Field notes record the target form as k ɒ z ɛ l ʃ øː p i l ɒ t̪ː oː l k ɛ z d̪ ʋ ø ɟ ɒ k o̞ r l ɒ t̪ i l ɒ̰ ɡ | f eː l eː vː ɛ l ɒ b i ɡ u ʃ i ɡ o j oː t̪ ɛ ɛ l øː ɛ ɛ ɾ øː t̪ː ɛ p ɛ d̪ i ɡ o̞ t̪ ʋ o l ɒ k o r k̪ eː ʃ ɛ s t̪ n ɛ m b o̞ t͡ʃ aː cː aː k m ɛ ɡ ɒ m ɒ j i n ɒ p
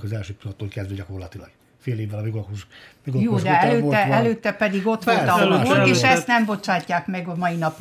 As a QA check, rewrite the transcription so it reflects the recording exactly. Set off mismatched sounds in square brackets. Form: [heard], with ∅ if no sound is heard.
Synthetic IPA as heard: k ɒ z ɛ l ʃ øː p i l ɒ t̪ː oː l k ɛ z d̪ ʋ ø ɟ ɒ k o̞ r l ɒ t̪ i l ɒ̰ ɡ | f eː l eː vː ɛ l ɒ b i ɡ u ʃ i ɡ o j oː [d̪] ɛ ɛ l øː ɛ ɛ [l] øː t̪ː ɛ p ɛ d̪ i ɡ o̞ t̪ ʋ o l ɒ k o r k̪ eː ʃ ɛ s t̪ n ɛ m b o̞ t͡ʃ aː cː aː k m ɛ ɡ ɒ m ɒ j i n ɒ p